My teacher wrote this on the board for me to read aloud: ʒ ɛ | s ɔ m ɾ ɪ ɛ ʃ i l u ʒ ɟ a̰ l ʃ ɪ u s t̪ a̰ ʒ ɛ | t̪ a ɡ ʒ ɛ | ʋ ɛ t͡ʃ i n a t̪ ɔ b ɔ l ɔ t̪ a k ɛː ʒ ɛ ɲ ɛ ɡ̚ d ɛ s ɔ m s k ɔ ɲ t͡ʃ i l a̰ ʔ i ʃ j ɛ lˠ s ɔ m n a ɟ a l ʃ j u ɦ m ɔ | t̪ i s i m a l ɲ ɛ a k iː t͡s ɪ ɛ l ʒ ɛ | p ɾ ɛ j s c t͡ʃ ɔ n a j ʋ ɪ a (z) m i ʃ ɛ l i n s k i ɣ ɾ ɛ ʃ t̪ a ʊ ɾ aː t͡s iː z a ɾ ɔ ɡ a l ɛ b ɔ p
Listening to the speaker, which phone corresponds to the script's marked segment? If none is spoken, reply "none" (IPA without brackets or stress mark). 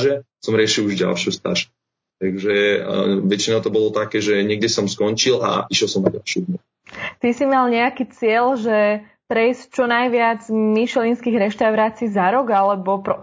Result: d͡z